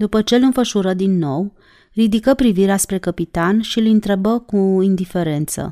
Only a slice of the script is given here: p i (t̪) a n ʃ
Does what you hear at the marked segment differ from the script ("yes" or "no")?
no